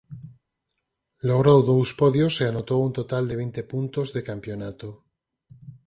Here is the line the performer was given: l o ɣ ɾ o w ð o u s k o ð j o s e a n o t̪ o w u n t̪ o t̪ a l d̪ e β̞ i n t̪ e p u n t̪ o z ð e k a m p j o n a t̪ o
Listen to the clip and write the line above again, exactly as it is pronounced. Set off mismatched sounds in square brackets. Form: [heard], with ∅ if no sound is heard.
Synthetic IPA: l o ɣ ɾ o w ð o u s [p] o ð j o s e a n o t̪ o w u n t̪ o t̪ a l d̪ e β̞ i n t̪ e p u n t̪ o z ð e k a m p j o n a t̪ o

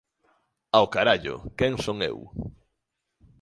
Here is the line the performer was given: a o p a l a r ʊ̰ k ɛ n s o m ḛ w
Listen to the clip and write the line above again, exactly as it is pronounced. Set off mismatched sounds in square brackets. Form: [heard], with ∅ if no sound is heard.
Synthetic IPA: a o [k] a [ɾ] a [ʎ] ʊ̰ k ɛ [ŋ] s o [ŋ] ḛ w

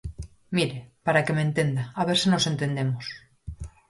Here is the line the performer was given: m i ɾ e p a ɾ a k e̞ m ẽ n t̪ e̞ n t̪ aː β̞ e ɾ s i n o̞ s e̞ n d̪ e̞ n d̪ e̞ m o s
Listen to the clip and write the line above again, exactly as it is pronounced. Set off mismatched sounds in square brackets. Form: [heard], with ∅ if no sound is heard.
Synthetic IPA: m i ɾ e p a ɾ a k e̞ m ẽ n t̪ e̞ n [d̪] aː β̞ e ɾ s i n o̞ s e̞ n [t̪] e̞ n d̪ e̞ m o s

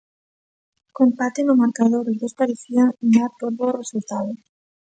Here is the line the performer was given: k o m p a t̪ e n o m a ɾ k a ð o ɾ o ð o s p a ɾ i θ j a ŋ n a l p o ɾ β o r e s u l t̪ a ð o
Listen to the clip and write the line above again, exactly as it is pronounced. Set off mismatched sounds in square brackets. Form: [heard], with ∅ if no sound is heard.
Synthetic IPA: k o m p a t̪ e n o m a ɾ k a ð o ɾ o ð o s p a ɾ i θ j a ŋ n a [ɾ] p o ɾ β o r e s u l t̪ a ð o

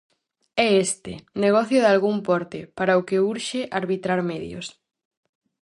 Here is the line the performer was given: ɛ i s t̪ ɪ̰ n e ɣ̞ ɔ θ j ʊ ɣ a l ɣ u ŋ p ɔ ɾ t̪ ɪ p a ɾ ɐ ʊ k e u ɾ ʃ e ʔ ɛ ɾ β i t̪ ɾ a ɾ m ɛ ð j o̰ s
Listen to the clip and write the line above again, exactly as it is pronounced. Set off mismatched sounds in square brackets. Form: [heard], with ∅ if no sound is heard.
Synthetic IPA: ɛ [e] s t̪ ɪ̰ n e ɣ̞ ɔ θ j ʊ [ð] a l ɣ u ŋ p ɔ ɾ t̪ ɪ p a ɾ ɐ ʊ k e u ɾ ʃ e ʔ [a] ɾ β i t̪ ɾ a ɾ m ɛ ð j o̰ s

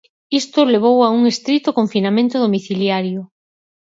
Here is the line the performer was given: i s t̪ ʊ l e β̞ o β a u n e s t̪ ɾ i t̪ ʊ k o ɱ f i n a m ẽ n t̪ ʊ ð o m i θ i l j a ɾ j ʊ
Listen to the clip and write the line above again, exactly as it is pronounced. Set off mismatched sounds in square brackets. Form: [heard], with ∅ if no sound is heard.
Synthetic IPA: i s t̪ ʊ l e β̞ o [w] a u [ŋ] e s t̪ ɾ i t̪ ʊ k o ɱ f i n a m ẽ n t̪ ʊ ð o m i θ i l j a ɾ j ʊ

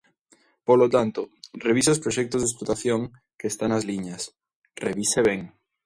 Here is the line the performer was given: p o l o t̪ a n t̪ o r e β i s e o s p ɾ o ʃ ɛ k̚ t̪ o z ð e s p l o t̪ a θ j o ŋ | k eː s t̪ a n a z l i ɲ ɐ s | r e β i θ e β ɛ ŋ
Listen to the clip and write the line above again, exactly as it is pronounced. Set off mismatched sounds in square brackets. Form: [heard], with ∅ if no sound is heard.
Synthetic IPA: p o l o t̪ a n t̪ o r e β i s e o s p ɾ o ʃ ɛ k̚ t̪ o z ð e s p l o t̪ a θ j o ŋ | k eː s t̪ a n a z l i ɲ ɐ s | r e β i [s] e β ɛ ŋ

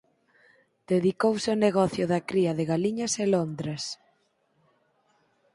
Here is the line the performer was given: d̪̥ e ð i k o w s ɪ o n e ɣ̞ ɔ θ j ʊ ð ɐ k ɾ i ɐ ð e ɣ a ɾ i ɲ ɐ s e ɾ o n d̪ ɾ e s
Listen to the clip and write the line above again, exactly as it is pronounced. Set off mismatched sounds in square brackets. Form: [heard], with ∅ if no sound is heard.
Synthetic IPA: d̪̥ e ð i k o w s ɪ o n e ɣ̞ ɔ θ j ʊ ð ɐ k ɾ i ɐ ð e ɣ a [l] i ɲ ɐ s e [l] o n d̪ ɾ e s

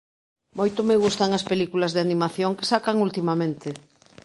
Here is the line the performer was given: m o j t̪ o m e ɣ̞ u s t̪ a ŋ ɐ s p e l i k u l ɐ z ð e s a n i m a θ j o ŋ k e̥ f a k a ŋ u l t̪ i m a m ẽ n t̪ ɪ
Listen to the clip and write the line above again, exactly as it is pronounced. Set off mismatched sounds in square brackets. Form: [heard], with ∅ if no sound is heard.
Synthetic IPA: m o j t̪ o m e ɣ̞ u s t̪ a ŋ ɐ s p e l i k u l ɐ z ð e [∅] a n i m a θ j o ŋ k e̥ [s] a k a ŋ u l t̪ i m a m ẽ n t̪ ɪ

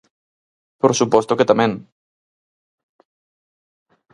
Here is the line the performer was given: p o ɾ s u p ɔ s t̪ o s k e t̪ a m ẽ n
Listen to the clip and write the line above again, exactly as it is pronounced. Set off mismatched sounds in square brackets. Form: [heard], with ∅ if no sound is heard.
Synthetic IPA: p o ɾ s u p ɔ s t̪ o [∅] k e t̪ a m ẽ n

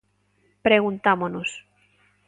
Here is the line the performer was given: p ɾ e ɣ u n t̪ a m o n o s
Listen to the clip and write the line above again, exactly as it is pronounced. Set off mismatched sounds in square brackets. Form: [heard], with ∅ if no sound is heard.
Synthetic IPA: p ɾ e ɣ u n t̪ a m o n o s

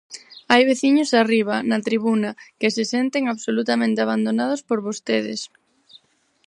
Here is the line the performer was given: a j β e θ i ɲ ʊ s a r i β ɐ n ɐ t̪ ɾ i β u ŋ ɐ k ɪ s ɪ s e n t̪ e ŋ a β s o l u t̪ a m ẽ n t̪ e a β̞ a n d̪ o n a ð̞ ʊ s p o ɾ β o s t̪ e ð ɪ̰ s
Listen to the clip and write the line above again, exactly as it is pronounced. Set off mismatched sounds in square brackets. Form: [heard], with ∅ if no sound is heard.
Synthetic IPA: a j β e θ i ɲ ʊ s a r i β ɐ n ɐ t̪ ɾ i β u [n] ɐ k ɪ s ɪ s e n t̪ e ŋ a β s o l u t̪ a m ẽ n t̪ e a β̞ a n d̪ o n a ð̞ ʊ s p o ɾ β o s t̪ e ð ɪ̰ s

